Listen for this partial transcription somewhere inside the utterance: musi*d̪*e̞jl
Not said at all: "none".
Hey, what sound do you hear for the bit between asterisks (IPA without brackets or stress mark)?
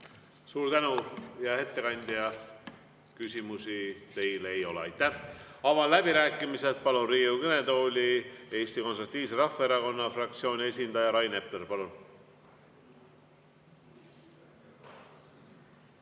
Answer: t̪